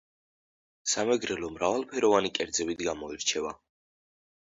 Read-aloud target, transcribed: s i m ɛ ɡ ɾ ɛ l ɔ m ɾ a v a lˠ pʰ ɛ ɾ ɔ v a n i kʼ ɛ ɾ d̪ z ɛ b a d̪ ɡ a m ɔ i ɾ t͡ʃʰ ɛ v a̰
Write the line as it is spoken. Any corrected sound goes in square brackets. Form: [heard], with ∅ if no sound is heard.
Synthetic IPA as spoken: s [a] m ɛ ɡ ɾ ɛ l ɔ m ɾ a v a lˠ pʰ ɛ ɾ ɔ v a n i kʼ ɛ ɾ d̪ z ɛ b [i] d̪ ɡ a m ɔ i ɾ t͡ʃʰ ɛ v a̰